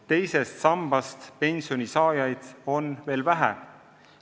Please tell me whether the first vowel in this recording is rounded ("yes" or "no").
no